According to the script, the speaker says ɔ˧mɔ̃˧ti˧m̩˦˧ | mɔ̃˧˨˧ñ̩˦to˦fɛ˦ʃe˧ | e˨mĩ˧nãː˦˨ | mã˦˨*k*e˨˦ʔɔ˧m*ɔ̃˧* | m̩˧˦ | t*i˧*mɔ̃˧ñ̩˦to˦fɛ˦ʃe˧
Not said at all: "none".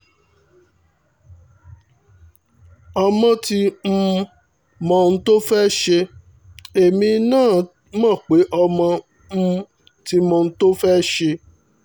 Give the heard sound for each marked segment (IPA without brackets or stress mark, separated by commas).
k͡p, ɔ̃˧, i˧